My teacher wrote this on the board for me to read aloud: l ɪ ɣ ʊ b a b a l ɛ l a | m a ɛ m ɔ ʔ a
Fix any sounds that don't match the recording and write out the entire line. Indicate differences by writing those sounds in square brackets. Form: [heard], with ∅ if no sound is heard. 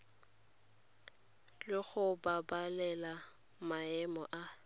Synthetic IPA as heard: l ɪ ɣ ʊ b a b a l ɛ l a | m a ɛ m ɔ ʔ a